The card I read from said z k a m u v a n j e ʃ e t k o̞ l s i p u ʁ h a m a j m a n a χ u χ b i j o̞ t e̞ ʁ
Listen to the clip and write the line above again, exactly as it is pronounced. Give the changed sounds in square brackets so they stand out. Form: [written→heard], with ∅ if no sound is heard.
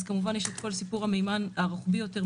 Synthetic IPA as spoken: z k a m u v a n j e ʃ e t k o̞ l s i p u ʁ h a m [a→e] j m a n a [χ→ʁ] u χ b i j o̞ t e̞ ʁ

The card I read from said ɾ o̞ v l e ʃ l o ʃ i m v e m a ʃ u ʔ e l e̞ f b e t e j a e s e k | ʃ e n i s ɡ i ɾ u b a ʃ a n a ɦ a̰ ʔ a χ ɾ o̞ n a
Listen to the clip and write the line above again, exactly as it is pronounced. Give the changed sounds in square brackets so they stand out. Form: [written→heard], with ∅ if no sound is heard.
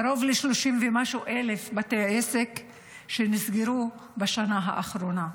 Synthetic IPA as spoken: ɾ o̞ v l e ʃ l o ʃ i m v e m a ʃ u ʔ e l e̞ f b [e→a] t e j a e s e k | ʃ e n i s ɡ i ɾ u b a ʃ a n a ɦ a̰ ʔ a χ ɾ o̞ n a

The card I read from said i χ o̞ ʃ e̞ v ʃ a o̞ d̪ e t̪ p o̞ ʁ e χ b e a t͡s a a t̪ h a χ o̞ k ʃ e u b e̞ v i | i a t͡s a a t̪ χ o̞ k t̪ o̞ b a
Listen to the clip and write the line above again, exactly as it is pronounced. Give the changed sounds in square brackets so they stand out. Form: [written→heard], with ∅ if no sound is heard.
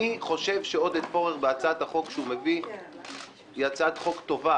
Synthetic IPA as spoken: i χ o̞ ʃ e̞ v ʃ [a→e] o̞ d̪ e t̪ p o̞ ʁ e χ b e a t͡s a a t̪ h a χ o̞ k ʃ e u [b→m] e̞ v i | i a t͡s a a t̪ χ o̞ k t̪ o̞ [b→v] a

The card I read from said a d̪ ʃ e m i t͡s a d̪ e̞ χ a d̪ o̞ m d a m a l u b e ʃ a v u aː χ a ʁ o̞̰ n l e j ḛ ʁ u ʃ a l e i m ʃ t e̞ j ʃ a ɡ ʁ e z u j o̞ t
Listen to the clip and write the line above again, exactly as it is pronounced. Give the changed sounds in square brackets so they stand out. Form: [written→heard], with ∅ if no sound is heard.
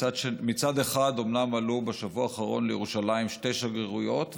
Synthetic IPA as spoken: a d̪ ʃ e m i t͡s a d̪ e̞ χ a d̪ o̞ m [d→n] a m a l u b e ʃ a v u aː χ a ʁ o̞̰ n l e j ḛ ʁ u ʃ a l [e→a] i m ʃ t e̞ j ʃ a ɡ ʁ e [z→ʁ] u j o̞ t

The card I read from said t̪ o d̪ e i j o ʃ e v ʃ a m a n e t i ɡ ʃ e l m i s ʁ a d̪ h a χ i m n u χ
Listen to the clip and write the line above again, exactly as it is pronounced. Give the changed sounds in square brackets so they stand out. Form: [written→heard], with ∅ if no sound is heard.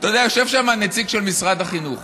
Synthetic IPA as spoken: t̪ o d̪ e [i→a] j o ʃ e v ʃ a m a n e [t→t͡s] i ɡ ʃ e l m i s ʁ a d̪ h a χ i [m→∅] n u χ

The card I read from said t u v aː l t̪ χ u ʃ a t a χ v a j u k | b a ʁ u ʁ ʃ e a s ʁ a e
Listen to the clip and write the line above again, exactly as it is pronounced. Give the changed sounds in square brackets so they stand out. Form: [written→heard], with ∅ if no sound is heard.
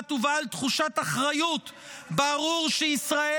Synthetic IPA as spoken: t u v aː l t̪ χ u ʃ a t a χ [v→ʁ] a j u [k→t] | b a ʁ u ʁ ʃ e [a→i] s ʁ a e

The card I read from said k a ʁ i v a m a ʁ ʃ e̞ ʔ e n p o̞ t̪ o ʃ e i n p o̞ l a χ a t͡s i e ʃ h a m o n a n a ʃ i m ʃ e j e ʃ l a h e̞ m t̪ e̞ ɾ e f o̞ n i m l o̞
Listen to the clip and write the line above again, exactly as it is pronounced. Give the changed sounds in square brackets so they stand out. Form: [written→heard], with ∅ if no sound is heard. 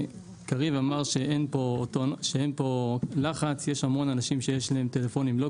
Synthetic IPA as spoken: k a ʁ i v a m a ʁ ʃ e̞ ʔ e n p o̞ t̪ o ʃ e [i→e] n p o̞ l a χ a t͡s [i→j] e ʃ h a m o n a n a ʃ i m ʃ e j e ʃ l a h e̞ m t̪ e̞ [ɾ→l] e f o̞ n i m l o̞

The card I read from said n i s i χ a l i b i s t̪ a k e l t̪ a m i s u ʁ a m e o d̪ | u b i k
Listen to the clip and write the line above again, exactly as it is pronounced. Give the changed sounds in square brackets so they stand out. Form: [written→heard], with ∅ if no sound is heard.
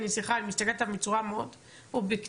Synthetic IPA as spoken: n i s i χ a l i [b→m] i s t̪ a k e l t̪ a m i [s→t͡s] u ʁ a m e o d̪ | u b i k

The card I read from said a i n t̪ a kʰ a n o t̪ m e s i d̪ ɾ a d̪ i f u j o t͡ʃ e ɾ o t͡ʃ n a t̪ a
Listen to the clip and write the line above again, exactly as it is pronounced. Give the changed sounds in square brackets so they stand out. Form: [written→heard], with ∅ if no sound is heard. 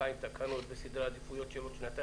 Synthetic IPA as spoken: a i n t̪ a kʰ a n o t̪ [m→b] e s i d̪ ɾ a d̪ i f u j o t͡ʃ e [ɾ→l] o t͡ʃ n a t̪ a

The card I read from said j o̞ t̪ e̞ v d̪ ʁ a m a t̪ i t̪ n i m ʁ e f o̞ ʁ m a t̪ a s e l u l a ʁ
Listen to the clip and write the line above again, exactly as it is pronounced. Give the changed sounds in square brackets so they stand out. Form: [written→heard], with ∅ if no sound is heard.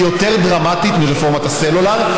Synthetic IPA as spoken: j o̞ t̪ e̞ [v→ʁ] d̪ ʁ a m a t̪ i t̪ [n→m] i [m→∅] ʁ e f o̞ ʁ m a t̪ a s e l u l a ʁ

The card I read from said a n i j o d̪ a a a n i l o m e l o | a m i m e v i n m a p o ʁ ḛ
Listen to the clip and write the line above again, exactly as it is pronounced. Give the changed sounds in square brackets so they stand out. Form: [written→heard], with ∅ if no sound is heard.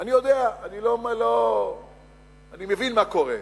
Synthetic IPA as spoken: a n i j o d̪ [a→e] a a n i l o m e l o | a [m→n] i m e v i n m a [p→k] o ʁ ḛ

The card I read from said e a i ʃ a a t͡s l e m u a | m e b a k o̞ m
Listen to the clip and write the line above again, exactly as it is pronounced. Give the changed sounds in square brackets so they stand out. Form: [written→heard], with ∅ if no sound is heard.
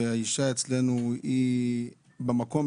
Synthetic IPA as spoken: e a i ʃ a [a→e] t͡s l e [m→n] u [a→i] | [m→b] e [b→m] a k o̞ m

